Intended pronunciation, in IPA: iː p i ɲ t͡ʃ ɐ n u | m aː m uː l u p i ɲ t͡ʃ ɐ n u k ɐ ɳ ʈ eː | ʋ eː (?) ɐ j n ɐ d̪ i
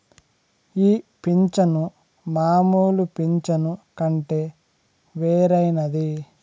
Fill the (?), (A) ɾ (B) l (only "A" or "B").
A